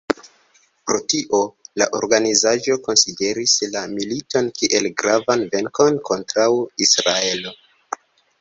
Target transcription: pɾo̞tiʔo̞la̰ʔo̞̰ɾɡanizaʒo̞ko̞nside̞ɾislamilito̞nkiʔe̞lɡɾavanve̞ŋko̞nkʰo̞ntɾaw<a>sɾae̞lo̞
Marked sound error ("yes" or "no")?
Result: yes